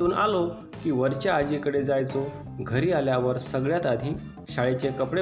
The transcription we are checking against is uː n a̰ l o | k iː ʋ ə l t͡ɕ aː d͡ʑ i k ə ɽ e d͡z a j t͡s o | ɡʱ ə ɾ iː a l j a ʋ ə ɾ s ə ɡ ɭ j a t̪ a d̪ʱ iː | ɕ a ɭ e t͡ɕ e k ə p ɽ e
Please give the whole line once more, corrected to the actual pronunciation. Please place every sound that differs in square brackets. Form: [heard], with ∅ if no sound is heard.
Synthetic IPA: uː n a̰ l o | k iː ʋ ə [ɾ] t͡ɕ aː d͡ʑ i k ə ɽ e d͡z a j t͡s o | ɡʱ ə ɾ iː a l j a ʋ ə ɾ s ə ɡ ɭ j a t̪ a d̪ʱ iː | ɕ a ɭ e t͡ɕ e k ə p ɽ e